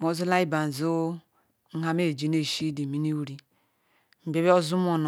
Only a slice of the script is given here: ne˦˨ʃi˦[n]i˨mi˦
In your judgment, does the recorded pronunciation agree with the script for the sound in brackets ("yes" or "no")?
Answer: no